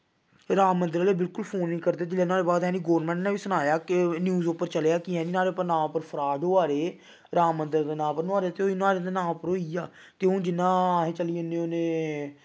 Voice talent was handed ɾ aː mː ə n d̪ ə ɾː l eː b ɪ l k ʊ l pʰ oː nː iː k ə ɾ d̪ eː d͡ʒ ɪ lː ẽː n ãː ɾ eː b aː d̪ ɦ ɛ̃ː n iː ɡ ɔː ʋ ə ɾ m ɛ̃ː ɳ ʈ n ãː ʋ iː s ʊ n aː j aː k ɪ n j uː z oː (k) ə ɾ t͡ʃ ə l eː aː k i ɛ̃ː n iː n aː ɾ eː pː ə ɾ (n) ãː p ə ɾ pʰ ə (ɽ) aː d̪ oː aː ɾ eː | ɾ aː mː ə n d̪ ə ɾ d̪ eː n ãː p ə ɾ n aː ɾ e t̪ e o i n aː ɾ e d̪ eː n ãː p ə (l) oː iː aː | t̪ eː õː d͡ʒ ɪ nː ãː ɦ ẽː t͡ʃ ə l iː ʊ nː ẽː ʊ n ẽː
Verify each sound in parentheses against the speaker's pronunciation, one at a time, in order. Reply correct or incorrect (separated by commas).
incorrect, correct, incorrect, incorrect